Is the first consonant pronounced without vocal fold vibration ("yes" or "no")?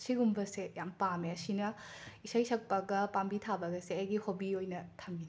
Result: yes